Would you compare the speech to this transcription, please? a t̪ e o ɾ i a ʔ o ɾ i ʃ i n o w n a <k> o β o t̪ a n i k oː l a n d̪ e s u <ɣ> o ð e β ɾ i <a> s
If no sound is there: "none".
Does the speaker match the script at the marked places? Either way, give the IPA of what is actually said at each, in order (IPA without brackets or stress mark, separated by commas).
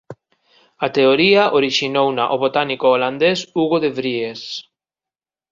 ʔ, ɣ, e